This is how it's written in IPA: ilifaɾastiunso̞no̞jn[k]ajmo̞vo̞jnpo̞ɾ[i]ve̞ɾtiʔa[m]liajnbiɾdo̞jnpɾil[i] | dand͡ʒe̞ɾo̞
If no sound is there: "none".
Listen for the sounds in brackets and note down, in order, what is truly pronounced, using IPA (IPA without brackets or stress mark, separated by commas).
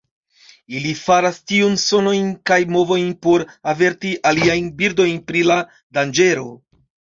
k, a, none, a